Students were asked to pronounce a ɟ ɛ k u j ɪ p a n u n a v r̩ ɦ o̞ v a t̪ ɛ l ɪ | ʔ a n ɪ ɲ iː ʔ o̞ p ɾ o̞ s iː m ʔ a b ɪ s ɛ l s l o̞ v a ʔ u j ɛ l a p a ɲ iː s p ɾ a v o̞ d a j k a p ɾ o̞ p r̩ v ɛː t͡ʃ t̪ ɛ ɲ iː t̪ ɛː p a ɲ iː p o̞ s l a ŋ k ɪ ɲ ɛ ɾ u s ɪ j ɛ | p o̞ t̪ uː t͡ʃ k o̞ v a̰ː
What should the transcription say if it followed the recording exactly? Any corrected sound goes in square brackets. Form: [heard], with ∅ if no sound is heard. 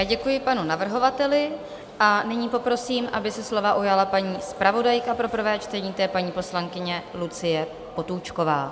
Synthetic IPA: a ɟ ɛ k u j ɪ p a n u n a v r̩ ɦ o̞ v a t̪ ɛ l ɪ | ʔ a n ɪ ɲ iː [p] o̞ p ɾ o̞ s iː m ʔ a b ɪ s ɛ [∅] s l o̞ v a ʔ u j [a] l a p a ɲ iː s p ɾ a v o̞ d a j k a p ɾ o̞ p r̩ v ɛː t͡ʃ t̪ ɛ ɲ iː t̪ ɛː p a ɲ iː p o̞ s l a ŋ k ɪ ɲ ɛ [l] u [t͡s] ɪ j ɛ | p o̞ t̪ uː t͡ʃ k o̞ v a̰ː